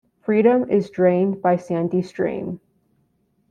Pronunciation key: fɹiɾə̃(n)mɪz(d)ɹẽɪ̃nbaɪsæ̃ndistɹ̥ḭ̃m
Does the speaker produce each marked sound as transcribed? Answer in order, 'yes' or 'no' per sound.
no, yes

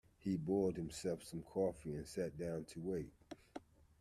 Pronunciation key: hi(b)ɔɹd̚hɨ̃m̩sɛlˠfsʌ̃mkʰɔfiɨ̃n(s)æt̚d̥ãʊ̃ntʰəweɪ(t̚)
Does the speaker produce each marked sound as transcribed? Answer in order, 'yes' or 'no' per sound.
yes, yes, yes

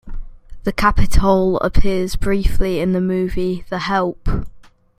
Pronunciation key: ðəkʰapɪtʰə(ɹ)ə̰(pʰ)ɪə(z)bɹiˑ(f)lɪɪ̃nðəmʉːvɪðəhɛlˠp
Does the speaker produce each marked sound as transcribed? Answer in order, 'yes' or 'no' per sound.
no, yes, yes, yes

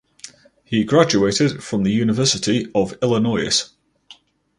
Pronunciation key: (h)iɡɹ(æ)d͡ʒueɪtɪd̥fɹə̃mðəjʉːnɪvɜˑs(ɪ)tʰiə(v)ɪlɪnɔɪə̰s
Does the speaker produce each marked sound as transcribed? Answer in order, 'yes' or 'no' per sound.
yes, no, yes, yes

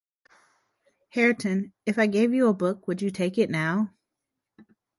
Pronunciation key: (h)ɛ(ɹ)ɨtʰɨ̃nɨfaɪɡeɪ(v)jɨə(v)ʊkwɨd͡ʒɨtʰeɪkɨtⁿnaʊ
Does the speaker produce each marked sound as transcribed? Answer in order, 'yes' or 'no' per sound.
yes, yes, yes, no

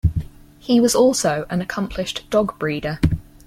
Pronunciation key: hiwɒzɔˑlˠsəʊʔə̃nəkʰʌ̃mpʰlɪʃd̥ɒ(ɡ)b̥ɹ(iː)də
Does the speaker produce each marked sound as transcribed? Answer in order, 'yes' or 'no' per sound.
yes, yes

